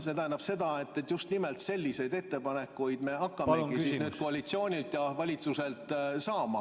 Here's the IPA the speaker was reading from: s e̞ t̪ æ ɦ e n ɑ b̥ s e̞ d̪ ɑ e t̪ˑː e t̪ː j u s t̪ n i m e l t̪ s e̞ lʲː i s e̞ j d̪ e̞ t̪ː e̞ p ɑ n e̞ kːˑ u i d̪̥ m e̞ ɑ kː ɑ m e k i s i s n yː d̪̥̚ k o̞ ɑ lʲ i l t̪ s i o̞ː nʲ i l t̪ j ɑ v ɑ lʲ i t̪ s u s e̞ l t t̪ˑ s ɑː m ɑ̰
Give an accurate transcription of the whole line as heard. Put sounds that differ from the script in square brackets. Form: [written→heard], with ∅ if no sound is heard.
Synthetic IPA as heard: s e̞ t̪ æ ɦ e n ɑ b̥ s e̞ d̪ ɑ e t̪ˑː e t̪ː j u s t̪ n i m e l t̪ s e̞ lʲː i s e̞ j d̪ e̞ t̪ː e̞ p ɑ n e̞ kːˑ u [i→j] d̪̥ m e̞ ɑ kː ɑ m e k i s i s n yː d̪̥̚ k o̞ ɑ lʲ i [l→∅] t̪ s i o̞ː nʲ i l t̪ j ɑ v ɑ lʲ i t̪ s u s e̞ l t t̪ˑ s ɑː m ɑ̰